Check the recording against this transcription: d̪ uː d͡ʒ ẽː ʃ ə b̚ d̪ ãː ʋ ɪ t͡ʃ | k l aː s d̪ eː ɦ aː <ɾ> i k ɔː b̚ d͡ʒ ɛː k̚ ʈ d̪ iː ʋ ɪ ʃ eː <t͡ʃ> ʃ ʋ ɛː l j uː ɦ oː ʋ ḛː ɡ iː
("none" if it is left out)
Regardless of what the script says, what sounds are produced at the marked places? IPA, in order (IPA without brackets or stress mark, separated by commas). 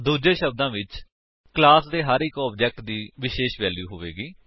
ɾ, none